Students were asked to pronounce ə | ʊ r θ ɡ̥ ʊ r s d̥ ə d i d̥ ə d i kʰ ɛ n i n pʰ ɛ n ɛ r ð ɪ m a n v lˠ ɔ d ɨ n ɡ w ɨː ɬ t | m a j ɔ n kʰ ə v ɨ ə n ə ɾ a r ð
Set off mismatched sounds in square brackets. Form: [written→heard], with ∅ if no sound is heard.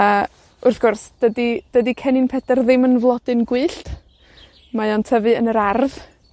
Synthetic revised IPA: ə | ʊ r θ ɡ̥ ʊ r s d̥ ə d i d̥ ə d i kʰ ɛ n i n pʰ ɛ [n→d] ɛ r ð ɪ m [a→ə] n v lˠ ɔ d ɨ n ɡ w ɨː ɬ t | m a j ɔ n [kʰ→tʰ] ə v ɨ ə n ə ɾ a r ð